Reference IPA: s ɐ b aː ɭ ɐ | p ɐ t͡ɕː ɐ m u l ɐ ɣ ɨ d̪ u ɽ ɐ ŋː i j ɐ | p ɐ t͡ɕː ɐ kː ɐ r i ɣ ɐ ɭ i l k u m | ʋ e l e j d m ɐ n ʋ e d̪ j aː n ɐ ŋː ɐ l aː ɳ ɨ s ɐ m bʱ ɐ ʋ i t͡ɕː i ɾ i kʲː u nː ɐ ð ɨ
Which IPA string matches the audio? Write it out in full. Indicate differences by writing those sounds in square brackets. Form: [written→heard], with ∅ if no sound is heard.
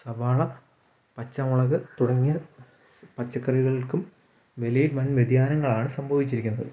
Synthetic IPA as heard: s ɐ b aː ɭ ɐ | p ɐ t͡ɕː ɐ m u [l→ɭ] ɐ ɣ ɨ [d̪→t̪] u ɽ ɐ ŋː i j ɐ | p ɐ t͡ɕː ɐ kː ɐ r i ɣ ɐ ɭ i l k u m | ʋ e l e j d m ɐ n ʋ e d̪ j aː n ɐ ŋː ɐ [l→ɭ] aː ɳ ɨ s ɐ m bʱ ɐ ʋ i t͡ɕː i ɾ i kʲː u nː ɐ ð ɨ